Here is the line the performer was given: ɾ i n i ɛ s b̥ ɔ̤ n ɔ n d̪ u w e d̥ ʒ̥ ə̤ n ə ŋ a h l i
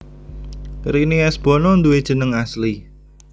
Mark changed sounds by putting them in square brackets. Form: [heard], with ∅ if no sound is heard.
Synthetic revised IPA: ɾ i n i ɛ s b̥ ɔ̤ n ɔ n d̪ u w e d̥ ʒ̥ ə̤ n ə ŋ a [s] l i